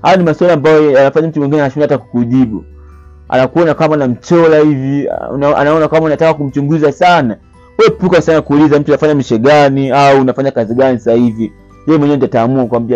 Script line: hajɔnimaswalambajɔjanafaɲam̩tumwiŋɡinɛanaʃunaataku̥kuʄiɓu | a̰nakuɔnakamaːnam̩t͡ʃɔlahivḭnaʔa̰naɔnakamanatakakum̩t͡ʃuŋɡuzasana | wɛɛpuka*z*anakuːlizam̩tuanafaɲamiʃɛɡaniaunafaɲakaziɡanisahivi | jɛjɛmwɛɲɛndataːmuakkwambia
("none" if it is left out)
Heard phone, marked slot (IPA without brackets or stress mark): s